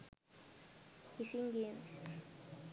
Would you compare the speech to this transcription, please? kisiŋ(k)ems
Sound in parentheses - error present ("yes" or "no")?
yes